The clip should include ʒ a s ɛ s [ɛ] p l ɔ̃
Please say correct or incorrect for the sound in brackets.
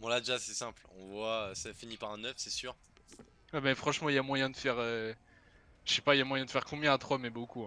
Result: incorrect